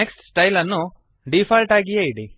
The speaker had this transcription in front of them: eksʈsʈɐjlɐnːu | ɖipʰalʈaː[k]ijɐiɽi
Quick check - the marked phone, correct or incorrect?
incorrect